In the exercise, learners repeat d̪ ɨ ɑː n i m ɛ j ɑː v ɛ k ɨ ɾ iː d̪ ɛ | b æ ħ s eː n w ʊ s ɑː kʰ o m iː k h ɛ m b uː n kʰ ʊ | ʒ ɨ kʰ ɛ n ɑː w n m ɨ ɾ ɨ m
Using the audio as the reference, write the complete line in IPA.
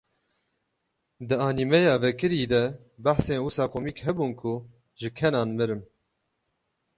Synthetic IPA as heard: d̪ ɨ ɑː n i m ɛ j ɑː v ɛ k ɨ ɾ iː d̪ ɛ | b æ ħ s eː n w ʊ s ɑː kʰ o m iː k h ɛ b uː n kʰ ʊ | ʒ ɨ kʰ ɛ n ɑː n m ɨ ɾ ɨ m